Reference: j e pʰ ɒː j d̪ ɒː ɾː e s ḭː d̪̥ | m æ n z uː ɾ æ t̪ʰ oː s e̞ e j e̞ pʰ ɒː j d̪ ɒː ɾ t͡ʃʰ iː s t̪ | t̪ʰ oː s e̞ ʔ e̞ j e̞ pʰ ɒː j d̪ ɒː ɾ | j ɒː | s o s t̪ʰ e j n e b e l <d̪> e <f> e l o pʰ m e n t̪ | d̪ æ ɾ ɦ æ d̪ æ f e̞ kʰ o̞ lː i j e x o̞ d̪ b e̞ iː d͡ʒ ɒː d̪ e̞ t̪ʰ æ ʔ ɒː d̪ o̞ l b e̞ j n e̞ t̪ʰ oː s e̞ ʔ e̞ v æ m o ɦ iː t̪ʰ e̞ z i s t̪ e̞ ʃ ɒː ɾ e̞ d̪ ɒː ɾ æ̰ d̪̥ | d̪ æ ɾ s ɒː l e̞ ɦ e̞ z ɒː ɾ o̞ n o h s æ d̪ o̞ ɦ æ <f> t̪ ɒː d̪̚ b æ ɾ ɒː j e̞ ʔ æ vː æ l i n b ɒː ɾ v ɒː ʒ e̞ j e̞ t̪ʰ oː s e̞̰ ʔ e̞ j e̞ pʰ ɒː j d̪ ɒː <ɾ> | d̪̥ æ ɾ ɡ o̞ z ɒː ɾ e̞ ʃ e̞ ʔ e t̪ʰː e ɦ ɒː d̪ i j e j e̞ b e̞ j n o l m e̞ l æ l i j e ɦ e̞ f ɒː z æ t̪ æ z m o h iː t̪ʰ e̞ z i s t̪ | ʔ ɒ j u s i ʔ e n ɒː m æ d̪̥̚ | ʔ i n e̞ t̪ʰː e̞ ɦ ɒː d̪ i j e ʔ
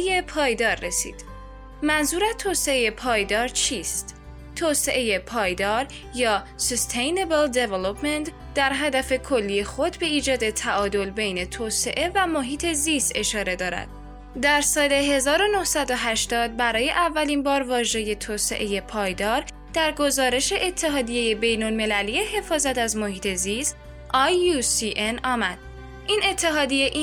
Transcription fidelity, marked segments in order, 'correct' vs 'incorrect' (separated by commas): correct, incorrect, incorrect, correct